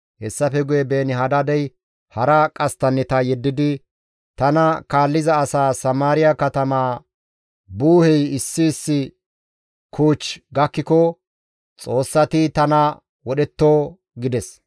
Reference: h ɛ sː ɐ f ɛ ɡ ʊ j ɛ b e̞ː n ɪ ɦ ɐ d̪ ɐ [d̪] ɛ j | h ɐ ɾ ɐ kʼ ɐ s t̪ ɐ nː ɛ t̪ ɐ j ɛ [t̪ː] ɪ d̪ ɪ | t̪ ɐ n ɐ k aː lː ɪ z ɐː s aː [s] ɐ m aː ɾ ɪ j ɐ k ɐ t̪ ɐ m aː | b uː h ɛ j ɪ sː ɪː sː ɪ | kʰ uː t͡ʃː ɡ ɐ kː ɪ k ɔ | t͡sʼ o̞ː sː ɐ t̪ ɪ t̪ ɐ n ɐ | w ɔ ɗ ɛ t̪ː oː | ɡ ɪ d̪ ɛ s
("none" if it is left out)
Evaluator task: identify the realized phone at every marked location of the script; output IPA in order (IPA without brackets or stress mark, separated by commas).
d̪, d̪ː, s